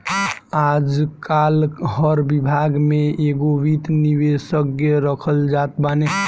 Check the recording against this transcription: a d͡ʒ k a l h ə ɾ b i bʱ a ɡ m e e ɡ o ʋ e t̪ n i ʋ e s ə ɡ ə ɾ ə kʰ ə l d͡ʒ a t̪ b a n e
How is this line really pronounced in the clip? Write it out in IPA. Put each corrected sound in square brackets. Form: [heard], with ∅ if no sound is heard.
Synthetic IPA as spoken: a d͡ʒ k a l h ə ɾ b i bʱ a ɡ m e e ɡ o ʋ [i] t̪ n i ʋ e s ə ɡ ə ɾ ə kʰ ə l d͡ʒ a t̪ b a n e